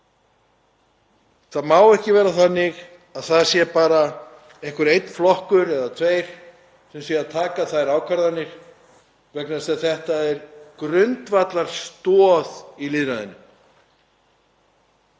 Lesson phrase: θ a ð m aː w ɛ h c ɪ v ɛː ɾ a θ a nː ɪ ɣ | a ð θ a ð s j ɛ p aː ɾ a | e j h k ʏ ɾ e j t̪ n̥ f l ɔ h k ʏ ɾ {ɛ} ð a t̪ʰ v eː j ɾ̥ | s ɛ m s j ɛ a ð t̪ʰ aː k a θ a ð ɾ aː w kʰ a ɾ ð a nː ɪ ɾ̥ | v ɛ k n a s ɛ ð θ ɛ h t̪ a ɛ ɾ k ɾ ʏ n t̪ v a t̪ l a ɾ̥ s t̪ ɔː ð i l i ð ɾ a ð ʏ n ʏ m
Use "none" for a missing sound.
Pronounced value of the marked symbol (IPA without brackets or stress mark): ɛ